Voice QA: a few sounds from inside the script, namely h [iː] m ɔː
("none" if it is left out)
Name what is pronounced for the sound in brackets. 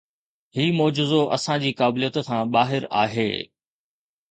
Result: iː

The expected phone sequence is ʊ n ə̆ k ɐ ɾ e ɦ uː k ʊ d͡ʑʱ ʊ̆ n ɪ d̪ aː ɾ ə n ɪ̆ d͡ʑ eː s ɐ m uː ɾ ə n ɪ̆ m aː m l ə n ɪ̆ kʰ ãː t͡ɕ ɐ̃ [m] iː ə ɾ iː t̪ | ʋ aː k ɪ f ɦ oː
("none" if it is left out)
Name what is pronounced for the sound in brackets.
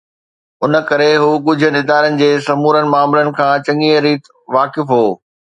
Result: ŋ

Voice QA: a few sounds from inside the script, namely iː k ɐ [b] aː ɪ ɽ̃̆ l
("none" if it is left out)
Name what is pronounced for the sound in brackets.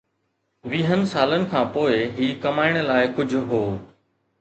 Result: m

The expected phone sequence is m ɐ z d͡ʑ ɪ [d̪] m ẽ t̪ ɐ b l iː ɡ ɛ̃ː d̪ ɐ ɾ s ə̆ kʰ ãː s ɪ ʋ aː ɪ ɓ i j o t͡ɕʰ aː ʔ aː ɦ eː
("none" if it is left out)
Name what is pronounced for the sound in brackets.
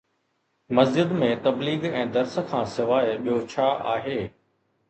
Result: d̪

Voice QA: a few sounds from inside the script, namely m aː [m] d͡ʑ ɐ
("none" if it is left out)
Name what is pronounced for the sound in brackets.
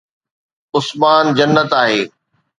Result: n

